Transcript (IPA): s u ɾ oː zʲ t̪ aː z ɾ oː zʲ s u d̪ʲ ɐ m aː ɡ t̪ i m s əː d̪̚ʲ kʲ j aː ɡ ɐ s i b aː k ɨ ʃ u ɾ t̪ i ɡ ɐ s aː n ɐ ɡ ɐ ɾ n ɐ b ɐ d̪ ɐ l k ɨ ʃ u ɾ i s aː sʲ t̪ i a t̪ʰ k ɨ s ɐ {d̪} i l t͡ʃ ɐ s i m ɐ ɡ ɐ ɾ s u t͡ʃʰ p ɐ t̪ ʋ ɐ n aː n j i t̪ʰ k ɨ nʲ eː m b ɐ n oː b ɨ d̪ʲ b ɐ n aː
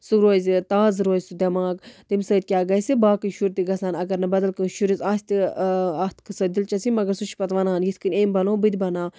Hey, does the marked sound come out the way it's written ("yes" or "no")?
yes